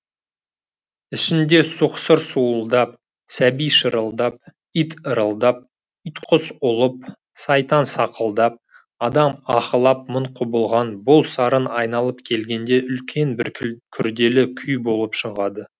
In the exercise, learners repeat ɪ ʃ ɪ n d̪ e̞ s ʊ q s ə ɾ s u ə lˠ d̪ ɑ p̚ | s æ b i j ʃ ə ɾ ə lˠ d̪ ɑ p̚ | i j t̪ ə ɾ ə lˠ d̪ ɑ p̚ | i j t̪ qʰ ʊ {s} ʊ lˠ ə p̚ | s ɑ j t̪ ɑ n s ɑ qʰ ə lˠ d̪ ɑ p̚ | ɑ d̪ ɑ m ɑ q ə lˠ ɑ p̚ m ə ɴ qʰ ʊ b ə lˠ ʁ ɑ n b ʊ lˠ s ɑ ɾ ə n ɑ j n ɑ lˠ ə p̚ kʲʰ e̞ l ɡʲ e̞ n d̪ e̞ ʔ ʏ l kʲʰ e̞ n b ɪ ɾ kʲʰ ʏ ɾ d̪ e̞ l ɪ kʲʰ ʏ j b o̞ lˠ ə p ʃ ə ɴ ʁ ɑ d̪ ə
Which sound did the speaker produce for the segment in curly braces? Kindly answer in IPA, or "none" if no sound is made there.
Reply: s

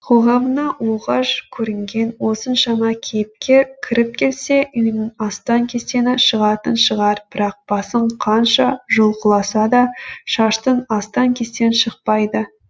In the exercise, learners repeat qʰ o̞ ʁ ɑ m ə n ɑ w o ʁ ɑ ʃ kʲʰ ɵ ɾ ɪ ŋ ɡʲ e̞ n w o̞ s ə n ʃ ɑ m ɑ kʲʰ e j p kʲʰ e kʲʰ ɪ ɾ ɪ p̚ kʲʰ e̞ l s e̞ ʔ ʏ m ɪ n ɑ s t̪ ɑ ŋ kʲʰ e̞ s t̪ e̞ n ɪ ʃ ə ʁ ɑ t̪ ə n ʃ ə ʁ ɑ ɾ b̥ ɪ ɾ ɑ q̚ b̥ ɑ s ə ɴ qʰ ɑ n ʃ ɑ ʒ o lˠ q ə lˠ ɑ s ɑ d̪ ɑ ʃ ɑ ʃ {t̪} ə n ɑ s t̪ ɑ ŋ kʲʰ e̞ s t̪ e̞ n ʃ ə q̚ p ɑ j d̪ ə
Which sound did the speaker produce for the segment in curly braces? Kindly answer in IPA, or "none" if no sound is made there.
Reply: t̪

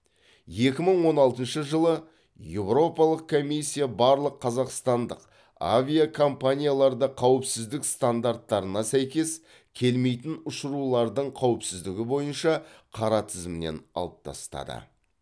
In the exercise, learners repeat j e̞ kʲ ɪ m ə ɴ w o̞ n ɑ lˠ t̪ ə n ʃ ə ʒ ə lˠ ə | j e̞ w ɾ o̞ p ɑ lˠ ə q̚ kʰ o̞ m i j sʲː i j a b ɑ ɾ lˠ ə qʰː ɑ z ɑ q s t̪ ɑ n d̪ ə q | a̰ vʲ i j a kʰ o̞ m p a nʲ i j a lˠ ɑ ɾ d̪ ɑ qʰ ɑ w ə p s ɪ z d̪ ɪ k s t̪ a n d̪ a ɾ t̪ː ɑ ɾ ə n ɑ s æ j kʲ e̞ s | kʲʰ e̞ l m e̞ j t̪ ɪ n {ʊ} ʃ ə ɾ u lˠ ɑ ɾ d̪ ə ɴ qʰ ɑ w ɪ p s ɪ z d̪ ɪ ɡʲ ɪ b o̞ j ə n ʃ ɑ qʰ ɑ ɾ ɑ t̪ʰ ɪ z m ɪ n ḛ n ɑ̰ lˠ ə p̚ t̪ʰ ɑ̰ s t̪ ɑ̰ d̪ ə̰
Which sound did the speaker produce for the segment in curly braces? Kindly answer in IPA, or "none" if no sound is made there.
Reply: ʊ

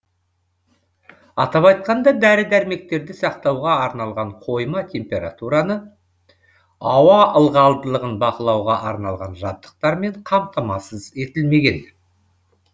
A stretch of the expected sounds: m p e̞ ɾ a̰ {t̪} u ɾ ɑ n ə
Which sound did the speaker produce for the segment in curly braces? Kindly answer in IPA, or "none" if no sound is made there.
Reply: t̪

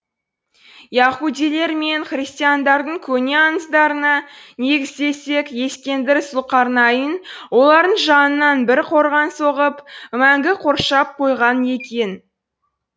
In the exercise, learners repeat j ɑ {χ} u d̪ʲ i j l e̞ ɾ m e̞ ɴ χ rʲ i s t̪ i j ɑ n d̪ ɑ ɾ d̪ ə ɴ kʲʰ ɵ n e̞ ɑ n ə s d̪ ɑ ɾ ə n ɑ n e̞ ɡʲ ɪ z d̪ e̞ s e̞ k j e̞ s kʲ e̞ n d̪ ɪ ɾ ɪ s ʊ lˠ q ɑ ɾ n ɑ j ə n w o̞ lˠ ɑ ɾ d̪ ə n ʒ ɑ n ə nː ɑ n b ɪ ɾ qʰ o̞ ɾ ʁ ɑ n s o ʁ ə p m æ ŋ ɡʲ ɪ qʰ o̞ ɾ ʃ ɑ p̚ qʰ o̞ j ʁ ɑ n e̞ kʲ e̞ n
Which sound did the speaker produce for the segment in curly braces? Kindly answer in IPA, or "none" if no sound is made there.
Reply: χ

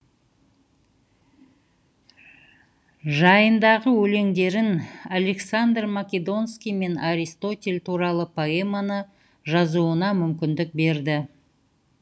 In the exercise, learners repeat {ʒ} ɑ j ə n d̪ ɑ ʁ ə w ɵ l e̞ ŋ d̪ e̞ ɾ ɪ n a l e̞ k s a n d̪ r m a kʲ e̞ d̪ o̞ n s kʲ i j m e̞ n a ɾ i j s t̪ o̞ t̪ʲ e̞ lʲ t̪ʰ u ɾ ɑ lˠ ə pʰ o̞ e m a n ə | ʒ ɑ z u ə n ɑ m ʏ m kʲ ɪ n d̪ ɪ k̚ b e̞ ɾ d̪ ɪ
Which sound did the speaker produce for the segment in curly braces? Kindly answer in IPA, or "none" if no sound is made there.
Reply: ʒ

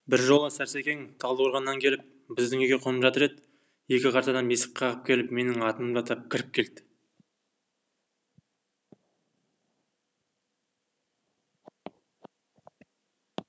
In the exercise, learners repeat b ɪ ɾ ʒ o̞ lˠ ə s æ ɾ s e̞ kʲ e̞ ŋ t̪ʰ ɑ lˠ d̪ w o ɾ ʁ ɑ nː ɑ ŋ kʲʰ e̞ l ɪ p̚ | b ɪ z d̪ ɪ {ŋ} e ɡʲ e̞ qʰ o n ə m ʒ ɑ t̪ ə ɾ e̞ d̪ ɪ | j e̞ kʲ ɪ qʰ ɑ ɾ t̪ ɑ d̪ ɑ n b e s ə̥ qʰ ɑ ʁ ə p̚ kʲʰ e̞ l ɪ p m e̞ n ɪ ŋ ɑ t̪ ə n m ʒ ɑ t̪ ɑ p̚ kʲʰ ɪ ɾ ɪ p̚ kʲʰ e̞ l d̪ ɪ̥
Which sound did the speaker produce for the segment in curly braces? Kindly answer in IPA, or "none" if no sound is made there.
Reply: ŋ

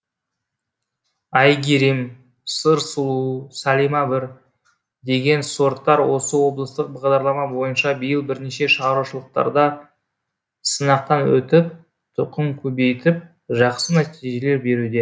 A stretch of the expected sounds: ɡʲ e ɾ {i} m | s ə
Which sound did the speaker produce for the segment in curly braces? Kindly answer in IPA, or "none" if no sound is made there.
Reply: i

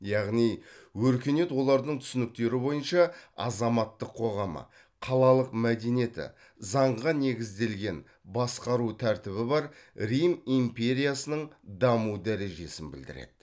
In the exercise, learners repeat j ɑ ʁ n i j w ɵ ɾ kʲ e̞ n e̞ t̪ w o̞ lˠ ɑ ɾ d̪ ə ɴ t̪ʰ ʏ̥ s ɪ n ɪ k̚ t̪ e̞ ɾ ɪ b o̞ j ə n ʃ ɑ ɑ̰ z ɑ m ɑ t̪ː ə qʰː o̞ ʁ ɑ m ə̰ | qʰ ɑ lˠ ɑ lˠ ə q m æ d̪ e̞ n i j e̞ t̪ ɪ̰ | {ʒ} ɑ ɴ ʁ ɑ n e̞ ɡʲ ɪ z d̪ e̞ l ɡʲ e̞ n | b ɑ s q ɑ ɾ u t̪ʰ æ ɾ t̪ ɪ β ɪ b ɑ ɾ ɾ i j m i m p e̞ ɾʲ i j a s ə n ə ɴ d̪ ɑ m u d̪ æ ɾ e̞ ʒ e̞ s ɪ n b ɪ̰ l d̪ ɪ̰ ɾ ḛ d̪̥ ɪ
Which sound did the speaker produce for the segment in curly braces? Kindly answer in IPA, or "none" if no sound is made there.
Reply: z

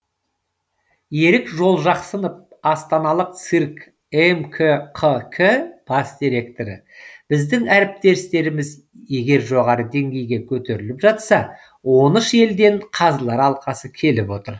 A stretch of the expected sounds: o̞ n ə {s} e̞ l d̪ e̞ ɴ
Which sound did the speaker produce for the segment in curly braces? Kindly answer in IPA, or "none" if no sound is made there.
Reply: ʃ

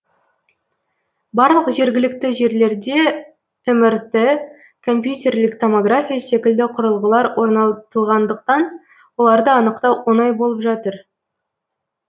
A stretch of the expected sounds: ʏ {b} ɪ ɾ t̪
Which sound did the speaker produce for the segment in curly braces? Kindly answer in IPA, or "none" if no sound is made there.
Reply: m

